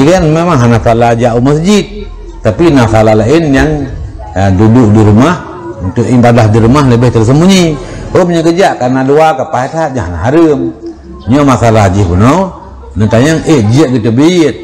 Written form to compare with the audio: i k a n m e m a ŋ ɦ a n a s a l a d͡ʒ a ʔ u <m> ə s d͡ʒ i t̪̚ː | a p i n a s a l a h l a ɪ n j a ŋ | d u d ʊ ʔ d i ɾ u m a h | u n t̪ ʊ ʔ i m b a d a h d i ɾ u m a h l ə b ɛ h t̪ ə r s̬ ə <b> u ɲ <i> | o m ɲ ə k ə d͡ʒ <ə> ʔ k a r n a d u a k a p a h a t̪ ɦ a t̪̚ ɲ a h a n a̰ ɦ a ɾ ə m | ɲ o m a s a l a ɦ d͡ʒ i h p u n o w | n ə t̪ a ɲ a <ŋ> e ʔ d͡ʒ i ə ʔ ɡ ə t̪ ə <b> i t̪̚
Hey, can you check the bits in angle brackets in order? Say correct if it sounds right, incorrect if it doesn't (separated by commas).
correct, incorrect, correct, incorrect, correct, correct